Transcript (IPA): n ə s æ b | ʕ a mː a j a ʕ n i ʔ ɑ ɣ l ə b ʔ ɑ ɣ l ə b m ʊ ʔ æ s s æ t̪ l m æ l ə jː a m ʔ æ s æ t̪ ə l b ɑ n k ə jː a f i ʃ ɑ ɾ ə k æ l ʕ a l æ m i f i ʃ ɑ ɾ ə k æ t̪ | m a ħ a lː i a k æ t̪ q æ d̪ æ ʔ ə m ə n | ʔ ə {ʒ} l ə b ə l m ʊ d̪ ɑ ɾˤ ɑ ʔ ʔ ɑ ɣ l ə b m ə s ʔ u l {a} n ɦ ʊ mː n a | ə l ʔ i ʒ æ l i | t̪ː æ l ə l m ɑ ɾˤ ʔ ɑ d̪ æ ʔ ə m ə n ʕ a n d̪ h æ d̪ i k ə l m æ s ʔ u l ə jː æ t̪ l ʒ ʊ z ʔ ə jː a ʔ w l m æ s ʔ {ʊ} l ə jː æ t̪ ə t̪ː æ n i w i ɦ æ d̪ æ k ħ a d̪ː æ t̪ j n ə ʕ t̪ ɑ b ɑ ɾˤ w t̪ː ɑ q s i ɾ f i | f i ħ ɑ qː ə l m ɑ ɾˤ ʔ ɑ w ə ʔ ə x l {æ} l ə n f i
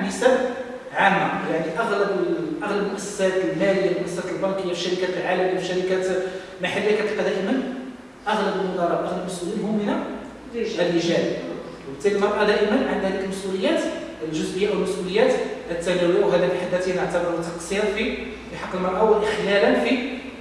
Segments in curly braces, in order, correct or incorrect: incorrect: ɣ, incorrect: i, incorrect: u, correct

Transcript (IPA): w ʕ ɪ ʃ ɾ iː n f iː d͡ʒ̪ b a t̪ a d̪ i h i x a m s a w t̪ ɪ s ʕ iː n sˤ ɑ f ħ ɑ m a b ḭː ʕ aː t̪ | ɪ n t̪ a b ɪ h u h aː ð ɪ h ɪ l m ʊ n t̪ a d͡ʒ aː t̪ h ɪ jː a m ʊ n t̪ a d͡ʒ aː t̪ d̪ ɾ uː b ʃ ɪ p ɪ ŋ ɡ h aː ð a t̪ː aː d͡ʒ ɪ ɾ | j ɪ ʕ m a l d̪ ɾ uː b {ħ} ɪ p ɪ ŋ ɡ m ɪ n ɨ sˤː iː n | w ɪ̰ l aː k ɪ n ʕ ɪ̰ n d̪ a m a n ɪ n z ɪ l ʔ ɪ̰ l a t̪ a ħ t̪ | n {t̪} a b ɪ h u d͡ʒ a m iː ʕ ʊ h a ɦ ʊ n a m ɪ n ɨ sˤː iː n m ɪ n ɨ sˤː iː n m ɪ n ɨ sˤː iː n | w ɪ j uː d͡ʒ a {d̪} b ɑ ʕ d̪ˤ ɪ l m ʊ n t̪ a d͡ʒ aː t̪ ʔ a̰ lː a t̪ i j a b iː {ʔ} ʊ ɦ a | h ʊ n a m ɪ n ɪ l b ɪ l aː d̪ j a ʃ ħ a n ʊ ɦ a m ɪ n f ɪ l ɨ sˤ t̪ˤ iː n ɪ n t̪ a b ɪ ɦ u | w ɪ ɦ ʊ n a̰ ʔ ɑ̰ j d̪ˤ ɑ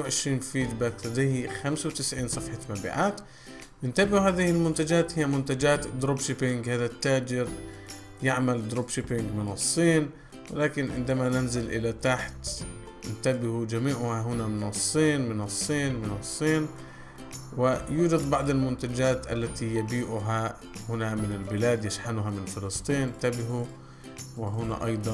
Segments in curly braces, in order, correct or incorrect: incorrect: ʃ, correct, correct, correct

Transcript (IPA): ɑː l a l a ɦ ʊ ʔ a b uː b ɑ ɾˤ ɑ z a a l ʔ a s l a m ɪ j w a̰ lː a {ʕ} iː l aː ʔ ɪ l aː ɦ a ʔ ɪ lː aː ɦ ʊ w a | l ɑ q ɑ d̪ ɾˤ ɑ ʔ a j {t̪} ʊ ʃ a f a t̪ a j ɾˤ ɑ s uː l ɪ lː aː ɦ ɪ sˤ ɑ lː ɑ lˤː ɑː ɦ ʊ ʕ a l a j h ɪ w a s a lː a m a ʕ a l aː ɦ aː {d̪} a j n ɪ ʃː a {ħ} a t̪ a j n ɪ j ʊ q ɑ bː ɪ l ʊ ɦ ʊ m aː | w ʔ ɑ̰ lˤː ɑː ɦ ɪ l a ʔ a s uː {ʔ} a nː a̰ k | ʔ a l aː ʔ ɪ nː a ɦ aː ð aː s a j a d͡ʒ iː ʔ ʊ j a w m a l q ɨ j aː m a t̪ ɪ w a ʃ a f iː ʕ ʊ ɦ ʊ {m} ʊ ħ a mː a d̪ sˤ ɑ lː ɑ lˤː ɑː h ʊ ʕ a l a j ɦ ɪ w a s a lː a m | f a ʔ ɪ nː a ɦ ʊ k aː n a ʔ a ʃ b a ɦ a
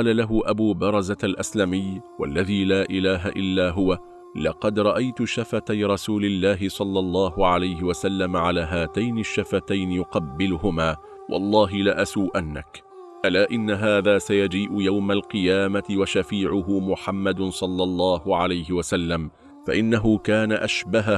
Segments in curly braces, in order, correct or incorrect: incorrect: ð, correct, incorrect: t̪, incorrect: f, correct, correct

